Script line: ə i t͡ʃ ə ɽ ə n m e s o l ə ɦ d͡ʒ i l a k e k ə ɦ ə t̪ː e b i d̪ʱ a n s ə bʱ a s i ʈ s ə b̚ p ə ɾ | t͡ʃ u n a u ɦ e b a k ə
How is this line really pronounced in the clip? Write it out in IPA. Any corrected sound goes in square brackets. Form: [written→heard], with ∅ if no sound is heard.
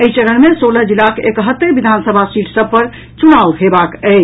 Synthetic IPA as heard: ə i t͡ʃ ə [ɽ→ɾ] ə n m e s o l ə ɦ d͡ʒ i l a k e k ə ɦ ə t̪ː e b i d̪ʱ a n s ə bʱ a s i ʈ s ə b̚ p ə ɾ | t͡ʃ u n a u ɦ e b a k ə